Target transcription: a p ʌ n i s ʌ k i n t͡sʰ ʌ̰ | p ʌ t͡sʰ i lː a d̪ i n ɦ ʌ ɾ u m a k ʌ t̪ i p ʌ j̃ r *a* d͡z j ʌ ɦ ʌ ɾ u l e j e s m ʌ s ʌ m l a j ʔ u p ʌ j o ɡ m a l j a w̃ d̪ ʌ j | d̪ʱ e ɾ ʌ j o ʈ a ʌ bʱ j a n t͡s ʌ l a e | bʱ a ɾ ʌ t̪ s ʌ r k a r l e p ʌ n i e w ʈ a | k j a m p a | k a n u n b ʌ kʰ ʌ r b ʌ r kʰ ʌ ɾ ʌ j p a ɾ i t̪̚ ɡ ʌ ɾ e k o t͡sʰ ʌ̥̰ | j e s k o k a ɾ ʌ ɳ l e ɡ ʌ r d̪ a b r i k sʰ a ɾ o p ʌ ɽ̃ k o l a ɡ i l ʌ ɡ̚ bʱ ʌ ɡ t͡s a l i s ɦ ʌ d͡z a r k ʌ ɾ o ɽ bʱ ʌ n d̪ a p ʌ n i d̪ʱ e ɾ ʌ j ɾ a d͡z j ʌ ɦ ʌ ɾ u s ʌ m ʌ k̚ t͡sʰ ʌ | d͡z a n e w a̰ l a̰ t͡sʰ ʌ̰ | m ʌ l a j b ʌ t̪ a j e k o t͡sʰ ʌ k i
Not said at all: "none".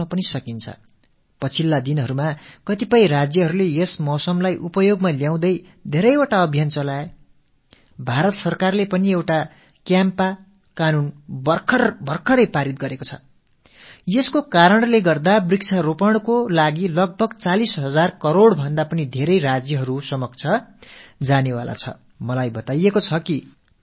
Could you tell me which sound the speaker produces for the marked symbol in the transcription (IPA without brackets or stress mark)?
a